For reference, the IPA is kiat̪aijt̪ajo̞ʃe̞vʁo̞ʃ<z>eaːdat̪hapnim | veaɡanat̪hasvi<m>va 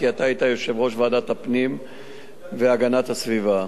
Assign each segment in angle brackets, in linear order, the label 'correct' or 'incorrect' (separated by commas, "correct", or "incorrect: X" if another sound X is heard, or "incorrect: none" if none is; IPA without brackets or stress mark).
incorrect: v, incorrect: none